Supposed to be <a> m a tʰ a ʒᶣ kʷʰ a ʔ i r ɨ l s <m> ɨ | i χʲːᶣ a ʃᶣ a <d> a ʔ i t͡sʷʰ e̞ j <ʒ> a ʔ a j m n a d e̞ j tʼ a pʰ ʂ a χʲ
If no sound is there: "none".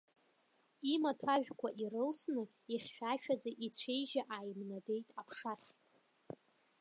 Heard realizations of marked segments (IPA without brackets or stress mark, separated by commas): i, n, d͡z, ʒ